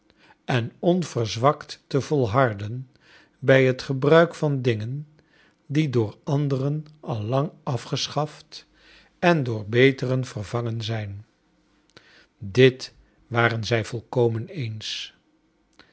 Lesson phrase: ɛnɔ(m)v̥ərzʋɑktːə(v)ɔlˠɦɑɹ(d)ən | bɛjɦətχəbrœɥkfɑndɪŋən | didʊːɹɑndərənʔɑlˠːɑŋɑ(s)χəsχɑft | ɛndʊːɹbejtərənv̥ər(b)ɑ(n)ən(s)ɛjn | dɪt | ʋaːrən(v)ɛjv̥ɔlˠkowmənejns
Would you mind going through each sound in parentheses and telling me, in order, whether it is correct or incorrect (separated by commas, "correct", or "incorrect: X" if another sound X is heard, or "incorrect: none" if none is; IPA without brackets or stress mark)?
incorrect: n, correct, correct, incorrect: f, incorrect: v, incorrect: ŋ, incorrect: z, incorrect: z